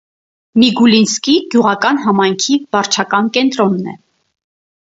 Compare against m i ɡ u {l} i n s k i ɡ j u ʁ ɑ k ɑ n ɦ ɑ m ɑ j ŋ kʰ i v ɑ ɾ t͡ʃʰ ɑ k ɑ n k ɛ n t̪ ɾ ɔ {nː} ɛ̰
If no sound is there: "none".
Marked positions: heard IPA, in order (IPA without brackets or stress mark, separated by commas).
l, nː